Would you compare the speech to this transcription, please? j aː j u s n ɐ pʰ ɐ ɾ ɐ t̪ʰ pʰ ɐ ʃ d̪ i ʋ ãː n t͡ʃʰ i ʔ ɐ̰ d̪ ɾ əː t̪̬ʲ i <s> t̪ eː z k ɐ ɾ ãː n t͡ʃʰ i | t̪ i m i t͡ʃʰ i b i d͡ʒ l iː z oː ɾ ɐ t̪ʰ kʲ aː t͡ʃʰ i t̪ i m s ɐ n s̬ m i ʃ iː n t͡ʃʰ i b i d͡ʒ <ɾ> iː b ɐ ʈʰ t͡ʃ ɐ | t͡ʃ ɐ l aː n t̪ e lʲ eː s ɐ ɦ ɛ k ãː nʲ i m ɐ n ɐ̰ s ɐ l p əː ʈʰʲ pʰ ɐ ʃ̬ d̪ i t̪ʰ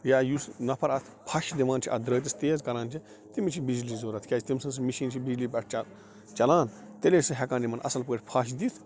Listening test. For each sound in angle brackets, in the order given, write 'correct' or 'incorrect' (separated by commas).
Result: correct, incorrect